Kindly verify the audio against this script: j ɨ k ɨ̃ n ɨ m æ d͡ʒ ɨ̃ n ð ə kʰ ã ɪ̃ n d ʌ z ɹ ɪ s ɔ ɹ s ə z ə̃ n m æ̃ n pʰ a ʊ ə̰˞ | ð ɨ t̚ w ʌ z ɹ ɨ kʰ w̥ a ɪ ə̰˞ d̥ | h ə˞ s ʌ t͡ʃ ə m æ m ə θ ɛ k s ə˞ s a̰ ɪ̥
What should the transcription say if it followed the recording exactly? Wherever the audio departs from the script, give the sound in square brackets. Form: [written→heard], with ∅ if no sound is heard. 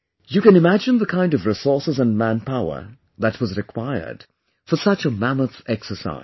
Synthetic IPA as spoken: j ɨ k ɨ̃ n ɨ m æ d͡ʒ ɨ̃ n ð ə kʰ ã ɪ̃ n d ʌ [z→v] ɹ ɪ s ɔ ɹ s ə z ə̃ n m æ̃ n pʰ a ʊ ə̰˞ | ð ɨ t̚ w ʌ z ɹ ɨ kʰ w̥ a ɪ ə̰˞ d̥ | [h→f] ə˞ s ʌ t͡ʃ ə m æ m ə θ ɛ k s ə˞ s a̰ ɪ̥